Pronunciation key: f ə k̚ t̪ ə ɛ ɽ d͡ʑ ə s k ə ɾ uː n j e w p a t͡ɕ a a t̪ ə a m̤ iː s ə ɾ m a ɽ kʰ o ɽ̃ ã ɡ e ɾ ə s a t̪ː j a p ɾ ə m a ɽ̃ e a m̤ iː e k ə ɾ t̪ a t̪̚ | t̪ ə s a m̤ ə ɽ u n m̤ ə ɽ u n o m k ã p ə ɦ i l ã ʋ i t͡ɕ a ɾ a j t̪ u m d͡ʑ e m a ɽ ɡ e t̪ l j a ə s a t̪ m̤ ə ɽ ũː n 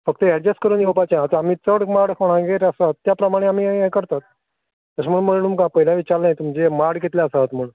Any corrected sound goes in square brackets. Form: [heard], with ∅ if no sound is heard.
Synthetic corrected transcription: f ə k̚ t̪ ə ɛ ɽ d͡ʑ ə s k ə ɾ uː n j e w p a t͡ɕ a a t̪ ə a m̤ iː [t͡s] ə [ɽ] m a ɽ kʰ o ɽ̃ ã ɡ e ɾ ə s a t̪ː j a p ɾ ə m a ɽ̃ e a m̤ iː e k ə ɾ t̪ a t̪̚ | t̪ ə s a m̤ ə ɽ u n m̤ ə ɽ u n [u] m k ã p ə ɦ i l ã ʋ i t͡ɕ a ɾ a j t̪ u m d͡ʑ e m a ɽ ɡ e t̪ l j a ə s a t̪ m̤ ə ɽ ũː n